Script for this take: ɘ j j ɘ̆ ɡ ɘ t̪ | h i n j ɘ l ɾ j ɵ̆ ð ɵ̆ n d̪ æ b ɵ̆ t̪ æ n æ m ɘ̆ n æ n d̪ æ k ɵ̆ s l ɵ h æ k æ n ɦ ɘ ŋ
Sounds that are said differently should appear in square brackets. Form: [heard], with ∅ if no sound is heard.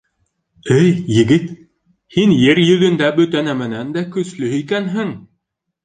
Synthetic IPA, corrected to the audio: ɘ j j ɘ̆ ɡ ɘ t̪ | h i n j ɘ [∅] ɾ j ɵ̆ ð ɵ̆ n d̪ æ b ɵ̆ t̪ æ n æ m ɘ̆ n æ n d̪ æ k ɵ̆ s l ɵ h [i] k æ n ɦ ɘ ŋ